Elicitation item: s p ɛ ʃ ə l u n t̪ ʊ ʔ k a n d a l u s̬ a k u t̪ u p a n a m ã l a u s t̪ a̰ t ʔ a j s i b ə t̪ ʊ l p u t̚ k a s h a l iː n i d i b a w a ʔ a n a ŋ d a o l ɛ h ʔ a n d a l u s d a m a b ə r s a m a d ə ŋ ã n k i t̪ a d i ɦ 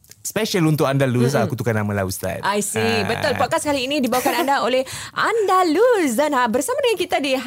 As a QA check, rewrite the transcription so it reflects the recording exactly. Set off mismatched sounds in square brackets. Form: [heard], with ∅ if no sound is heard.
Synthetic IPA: s p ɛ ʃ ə l u n t̪ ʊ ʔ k a n d a l u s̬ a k u t̪ u [k] a n a m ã l a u s t̪ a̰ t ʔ a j s i b ə t̪ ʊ l p [ɔ] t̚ k a s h a l iː n i d i b a w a [k] a n a [n] d a o l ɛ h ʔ a n d a l u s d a [n] a b ə r s a m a d ə ŋ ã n k i t̪ a d i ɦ